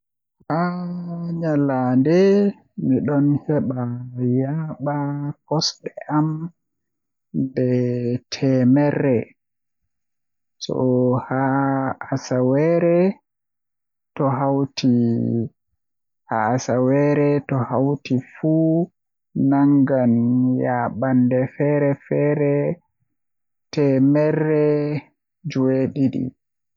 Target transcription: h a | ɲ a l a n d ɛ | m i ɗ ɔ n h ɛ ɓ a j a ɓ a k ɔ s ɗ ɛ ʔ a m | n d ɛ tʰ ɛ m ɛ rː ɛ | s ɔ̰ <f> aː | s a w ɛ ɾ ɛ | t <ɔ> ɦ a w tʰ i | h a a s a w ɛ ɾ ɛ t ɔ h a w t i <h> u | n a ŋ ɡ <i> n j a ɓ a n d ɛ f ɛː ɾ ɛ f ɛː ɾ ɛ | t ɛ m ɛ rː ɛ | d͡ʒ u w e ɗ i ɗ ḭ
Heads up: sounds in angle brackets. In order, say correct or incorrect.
incorrect, correct, incorrect, incorrect

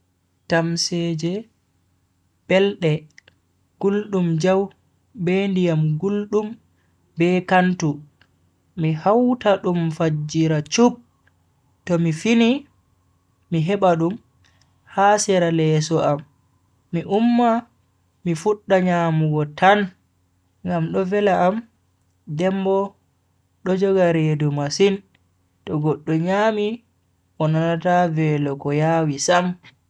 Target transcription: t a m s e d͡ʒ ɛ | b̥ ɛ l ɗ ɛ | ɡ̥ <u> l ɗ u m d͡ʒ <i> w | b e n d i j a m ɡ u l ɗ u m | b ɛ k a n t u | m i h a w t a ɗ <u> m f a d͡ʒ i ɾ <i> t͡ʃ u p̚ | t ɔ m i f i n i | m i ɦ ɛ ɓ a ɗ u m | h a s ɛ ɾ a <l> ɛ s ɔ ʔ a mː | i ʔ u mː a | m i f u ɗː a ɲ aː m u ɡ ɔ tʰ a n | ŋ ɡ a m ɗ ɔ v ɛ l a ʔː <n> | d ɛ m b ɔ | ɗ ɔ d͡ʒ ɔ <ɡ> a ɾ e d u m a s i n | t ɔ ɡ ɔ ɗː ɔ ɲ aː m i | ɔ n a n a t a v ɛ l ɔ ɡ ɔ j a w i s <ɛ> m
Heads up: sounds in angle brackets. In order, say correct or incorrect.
correct, incorrect, correct, incorrect, correct, incorrect, correct, incorrect

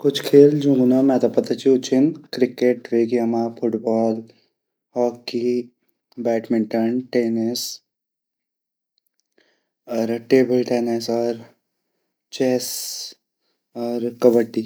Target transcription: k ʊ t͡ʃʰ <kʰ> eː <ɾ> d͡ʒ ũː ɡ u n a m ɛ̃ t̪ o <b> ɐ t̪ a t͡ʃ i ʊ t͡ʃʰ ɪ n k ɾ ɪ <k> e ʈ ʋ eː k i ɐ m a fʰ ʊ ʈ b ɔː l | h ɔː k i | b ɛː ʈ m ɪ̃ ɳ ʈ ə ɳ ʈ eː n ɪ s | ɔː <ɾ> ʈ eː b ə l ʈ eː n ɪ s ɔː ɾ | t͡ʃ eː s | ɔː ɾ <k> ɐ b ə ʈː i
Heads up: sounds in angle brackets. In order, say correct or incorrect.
correct, incorrect, incorrect, correct, correct, correct

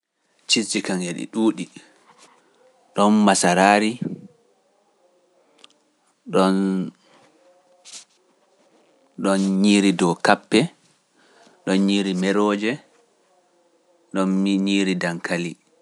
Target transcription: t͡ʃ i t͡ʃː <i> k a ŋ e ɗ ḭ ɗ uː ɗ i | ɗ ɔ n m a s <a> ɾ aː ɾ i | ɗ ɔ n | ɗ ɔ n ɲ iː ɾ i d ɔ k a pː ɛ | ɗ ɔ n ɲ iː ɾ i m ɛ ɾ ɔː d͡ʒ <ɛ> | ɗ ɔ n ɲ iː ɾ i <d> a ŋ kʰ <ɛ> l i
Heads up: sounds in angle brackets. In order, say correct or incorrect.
correct, correct, correct, correct, incorrect

